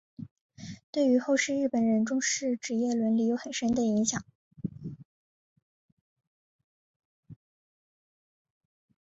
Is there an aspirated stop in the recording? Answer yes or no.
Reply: no